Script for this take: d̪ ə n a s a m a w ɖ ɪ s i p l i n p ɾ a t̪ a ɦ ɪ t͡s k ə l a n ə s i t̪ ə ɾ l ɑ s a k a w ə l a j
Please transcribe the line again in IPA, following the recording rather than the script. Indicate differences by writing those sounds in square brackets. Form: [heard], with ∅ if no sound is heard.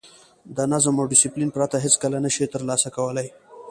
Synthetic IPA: d̪ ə n a [z] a m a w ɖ ɪ s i p l i n p ɾ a t̪ a ɦ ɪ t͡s k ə l a n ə [ʃ] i t̪ ə ɾ l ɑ s a k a w ə l a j